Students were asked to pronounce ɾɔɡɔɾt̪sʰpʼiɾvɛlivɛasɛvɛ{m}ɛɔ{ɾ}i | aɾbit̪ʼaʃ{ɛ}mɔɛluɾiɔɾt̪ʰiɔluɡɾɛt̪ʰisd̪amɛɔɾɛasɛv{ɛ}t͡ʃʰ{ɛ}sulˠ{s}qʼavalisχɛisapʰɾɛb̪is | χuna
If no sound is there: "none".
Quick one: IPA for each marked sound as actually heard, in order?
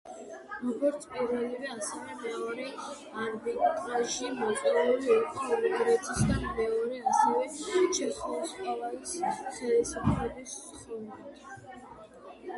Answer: m, ɾ, i, ɛ, ɛ, s

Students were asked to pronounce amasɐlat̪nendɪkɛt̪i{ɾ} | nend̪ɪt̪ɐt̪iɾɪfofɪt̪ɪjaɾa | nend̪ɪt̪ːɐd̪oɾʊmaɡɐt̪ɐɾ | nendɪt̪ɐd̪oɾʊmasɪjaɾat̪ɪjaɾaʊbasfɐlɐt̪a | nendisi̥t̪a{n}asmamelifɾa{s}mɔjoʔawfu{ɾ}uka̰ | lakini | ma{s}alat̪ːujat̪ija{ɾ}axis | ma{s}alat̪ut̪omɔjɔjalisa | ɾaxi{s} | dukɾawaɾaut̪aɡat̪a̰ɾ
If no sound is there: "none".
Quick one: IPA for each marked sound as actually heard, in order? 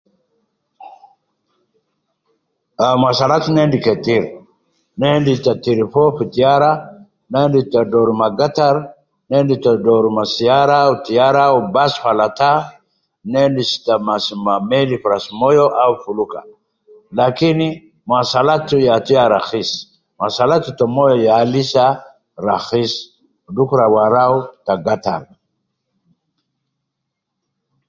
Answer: ɾ, m, s, l, s, ɾ, s, s

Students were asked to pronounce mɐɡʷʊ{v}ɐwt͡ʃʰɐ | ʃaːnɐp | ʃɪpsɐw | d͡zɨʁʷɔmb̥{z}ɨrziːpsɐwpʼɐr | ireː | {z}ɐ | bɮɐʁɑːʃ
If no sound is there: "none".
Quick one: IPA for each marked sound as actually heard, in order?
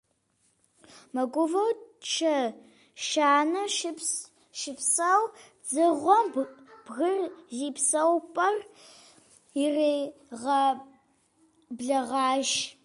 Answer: v, ɣ, ʁ

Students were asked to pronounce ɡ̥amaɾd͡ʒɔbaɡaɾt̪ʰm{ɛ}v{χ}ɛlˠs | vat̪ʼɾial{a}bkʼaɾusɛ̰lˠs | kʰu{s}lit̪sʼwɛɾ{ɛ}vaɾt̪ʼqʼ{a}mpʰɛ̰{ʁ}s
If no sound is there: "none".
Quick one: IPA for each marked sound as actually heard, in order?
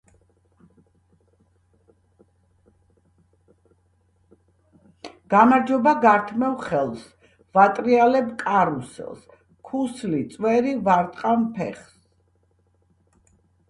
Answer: ɛ, χ, ɛ, s, i, a, χ

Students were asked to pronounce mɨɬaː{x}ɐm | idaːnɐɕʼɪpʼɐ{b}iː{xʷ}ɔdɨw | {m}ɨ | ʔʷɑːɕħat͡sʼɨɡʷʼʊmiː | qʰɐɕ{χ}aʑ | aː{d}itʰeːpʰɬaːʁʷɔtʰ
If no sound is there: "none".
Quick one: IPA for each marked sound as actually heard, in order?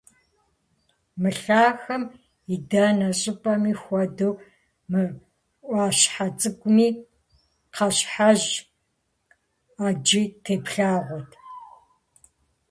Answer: x, m, xʷ, m, ħ, d͡ʒ

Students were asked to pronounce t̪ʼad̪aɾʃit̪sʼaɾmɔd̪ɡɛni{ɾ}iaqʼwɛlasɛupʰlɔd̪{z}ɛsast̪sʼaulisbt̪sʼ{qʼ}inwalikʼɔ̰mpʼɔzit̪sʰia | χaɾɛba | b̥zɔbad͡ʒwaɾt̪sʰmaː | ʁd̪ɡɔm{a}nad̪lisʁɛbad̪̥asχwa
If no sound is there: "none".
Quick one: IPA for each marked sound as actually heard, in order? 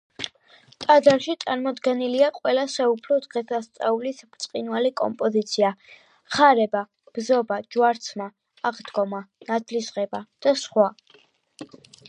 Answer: l, ʁ, qʼ, a

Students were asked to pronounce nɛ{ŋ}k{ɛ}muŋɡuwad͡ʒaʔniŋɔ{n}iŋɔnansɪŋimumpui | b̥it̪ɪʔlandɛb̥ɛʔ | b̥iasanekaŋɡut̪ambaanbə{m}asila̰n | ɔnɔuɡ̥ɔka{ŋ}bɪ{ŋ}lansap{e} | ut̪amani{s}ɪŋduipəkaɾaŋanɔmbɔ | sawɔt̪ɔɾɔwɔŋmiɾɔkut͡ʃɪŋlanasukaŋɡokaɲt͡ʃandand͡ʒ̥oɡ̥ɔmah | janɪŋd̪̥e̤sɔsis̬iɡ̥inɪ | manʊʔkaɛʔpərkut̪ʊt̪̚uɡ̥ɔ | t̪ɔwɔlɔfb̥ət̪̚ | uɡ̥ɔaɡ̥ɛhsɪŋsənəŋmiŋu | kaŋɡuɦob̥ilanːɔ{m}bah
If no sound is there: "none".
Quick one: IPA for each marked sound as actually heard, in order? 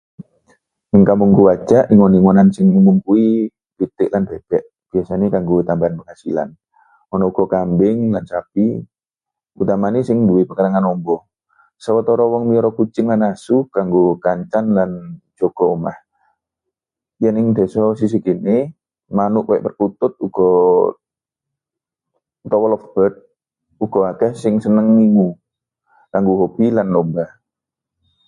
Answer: ŋ, a, n, ŋ, m, ŋ, i, s, m

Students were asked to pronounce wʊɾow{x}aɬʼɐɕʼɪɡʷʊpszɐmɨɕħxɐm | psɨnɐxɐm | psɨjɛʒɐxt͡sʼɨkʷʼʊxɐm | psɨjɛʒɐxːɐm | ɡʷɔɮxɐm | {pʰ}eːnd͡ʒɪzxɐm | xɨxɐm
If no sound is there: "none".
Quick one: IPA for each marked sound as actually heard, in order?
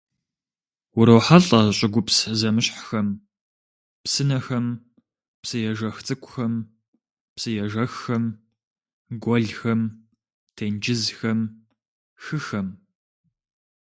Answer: ħ, tʰ

